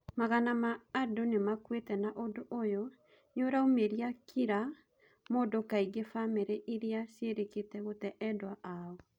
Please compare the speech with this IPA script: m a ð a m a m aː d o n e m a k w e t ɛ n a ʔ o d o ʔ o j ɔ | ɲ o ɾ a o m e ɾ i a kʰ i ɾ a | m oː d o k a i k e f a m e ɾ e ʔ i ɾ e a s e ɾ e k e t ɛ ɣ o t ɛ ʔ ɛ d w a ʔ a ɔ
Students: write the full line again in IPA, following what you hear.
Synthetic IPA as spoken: m a ɣ a n a m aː d o n e m a k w e t ɛ n a ʔ o d o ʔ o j ɔ | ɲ o ɾ a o m e ɾ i a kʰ i ɾ a | m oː d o k a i ɡ e f a m e ɾ e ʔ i ɾ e a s e ɾ e k e t ɛ ɣ o t ɛ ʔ ɛ d w a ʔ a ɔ